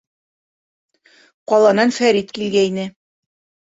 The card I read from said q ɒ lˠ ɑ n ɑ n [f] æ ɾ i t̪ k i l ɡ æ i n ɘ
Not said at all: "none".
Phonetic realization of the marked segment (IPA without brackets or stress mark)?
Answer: f